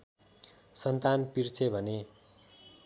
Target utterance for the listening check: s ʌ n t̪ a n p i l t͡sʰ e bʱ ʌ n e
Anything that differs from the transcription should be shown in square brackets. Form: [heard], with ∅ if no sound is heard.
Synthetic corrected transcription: s ʌ n t̪ a n p i [r] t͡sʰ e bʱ ʌ n e